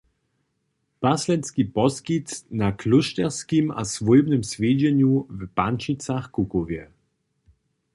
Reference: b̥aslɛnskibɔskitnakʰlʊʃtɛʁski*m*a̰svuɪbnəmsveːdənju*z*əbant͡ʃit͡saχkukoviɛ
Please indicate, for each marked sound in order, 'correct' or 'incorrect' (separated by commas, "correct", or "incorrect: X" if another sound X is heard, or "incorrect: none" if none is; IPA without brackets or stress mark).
correct, incorrect: v